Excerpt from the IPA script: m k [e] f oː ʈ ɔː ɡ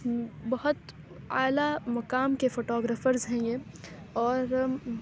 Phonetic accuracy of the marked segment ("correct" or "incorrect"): correct